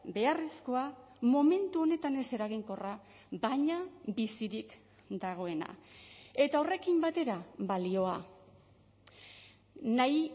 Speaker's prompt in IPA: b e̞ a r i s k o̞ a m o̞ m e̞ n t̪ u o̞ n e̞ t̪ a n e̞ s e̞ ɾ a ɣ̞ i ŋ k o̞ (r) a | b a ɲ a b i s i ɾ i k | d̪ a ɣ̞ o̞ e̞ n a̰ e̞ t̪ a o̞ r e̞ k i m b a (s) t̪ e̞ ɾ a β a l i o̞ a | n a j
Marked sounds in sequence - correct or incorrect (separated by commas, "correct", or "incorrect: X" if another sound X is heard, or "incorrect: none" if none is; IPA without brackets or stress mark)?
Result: correct, incorrect: none